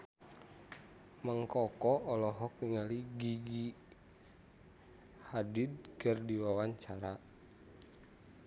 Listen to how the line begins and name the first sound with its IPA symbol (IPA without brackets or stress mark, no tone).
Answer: m